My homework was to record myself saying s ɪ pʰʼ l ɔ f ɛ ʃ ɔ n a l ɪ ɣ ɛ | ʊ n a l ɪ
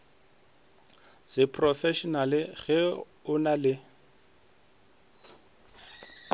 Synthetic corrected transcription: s ɪ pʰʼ r ɔ f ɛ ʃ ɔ n a l ɪ ɣ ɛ | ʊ n a l ɪ